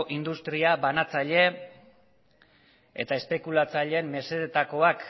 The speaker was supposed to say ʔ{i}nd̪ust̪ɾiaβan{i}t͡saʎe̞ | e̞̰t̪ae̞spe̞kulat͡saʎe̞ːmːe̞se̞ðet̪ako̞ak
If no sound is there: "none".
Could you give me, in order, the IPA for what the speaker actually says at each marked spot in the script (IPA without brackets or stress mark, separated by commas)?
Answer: i, a